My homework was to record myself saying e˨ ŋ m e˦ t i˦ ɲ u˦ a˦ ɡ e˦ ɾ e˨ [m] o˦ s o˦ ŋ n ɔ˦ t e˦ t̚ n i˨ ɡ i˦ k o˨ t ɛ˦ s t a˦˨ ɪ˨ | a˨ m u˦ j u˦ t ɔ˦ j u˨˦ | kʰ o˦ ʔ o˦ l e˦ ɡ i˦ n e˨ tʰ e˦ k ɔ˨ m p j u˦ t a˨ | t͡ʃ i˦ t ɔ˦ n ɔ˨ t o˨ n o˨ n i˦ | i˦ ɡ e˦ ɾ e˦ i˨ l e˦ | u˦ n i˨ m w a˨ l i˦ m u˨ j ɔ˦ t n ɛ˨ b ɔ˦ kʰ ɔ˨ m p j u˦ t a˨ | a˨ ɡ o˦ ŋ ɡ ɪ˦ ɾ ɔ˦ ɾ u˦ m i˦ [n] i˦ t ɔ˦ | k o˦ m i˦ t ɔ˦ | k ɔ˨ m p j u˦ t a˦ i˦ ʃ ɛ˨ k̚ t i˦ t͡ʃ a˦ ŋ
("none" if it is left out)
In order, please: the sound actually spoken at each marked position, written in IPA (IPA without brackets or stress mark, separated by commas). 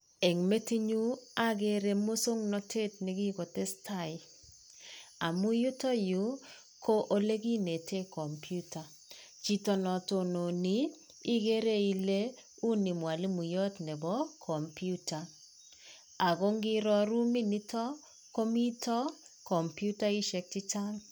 m, n